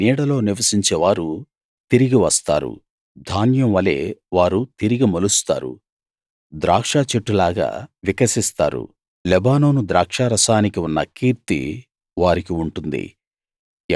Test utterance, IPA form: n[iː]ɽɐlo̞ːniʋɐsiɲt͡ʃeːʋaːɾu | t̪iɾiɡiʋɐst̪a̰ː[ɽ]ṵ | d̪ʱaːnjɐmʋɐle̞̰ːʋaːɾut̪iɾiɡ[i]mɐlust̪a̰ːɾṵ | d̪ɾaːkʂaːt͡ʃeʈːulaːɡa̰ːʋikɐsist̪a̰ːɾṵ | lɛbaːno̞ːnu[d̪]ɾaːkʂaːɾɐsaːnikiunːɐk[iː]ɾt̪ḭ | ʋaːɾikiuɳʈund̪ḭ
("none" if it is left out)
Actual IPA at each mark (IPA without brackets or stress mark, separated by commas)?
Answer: iː, ɾ, i, d̪, iː